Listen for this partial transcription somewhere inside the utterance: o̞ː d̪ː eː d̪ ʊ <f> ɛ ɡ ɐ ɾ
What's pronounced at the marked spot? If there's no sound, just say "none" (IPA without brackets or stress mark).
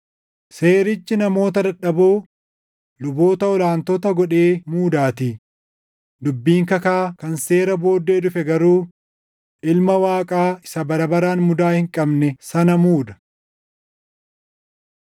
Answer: f